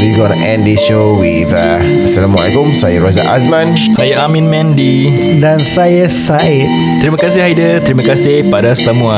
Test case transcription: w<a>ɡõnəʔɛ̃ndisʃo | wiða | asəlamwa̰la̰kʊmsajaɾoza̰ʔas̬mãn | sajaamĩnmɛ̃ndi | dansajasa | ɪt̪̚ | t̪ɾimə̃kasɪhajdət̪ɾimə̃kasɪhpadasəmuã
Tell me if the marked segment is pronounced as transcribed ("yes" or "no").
no